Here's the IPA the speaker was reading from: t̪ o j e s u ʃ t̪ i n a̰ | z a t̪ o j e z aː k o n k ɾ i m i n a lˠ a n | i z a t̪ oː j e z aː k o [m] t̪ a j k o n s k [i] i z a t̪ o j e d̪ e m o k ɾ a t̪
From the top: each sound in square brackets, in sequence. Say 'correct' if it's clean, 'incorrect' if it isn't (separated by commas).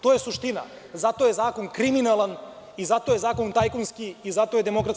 incorrect, correct